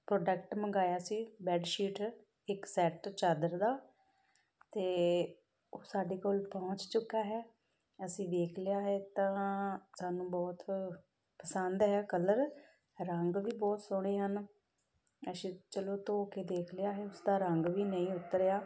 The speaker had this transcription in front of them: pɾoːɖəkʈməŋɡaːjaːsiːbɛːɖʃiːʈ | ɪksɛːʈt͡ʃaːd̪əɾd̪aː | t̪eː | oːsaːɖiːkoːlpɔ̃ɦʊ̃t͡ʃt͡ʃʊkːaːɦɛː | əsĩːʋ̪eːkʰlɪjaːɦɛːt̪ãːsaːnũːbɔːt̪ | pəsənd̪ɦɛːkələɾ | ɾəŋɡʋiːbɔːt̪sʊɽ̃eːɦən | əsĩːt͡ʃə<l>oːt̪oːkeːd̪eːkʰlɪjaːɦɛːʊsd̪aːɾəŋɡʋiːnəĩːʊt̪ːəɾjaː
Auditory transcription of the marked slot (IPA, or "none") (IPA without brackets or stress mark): l